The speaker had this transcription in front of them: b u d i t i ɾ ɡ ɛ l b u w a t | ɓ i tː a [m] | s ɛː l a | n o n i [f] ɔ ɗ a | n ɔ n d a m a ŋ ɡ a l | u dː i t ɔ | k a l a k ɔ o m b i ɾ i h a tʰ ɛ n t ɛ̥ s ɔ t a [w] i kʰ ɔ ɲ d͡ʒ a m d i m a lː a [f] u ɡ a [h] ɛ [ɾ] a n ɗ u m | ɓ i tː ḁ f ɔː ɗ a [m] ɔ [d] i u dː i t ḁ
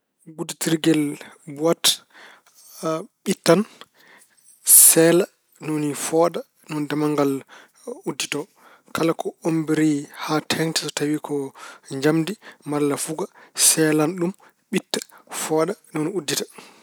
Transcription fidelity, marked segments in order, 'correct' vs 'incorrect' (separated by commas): incorrect, correct, correct, correct, incorrect, incorrect, incorrect, incorrect